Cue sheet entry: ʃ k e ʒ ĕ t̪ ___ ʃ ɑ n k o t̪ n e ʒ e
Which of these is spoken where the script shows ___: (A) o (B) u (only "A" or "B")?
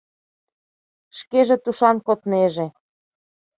B